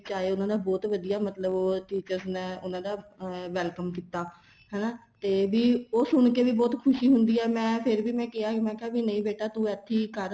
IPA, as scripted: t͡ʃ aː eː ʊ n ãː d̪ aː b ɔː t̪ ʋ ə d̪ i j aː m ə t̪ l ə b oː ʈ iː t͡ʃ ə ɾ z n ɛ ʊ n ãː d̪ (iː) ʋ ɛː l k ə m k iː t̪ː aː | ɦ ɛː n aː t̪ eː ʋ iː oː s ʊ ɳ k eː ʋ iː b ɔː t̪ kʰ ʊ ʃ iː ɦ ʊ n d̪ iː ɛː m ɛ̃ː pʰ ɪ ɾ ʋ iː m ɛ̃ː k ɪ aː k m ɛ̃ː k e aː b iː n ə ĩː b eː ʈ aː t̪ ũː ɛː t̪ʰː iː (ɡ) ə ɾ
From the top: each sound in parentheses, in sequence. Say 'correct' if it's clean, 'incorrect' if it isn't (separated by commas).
incorrect, incorrect